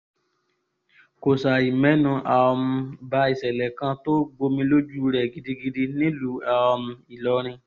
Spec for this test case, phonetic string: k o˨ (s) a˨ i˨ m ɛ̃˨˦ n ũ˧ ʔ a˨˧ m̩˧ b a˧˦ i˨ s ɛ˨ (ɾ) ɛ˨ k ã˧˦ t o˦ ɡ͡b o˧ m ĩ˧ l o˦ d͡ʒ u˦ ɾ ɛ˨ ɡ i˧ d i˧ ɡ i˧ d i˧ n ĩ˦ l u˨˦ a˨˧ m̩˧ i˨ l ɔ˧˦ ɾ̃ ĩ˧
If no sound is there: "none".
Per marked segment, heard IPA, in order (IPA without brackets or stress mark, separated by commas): s, l